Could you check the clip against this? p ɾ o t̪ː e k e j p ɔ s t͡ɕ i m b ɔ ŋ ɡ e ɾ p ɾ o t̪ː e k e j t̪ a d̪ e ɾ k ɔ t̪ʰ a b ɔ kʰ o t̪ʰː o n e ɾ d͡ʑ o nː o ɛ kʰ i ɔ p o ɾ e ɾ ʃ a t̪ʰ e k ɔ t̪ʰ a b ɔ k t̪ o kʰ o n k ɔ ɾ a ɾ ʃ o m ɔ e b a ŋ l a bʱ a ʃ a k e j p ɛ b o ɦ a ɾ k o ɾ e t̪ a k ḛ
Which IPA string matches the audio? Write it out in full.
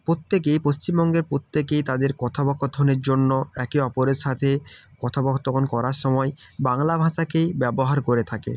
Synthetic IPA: p ɾ o t̪ː e k e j p o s t͡ɕ i m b ɔ ŋ ɡ e ɾ p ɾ o t̪ː e k e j t̪ a d̪ e ɾ k ɔ t̪ʰ a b ɔ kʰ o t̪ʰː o n e ɾ d͡ʑ o nː o ɛ k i ɔ p o ɾ e ɾ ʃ a t̪ʰ e k ɔ t̪ʰ a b ɔ k t̪ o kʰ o n k ɔ ɾ a ɾ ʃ ɔ m ɔ e b a ŋ l a bʱ a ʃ a k e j b ɛ b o ɦ a ɾ k o ɾ e t̪ʰ a k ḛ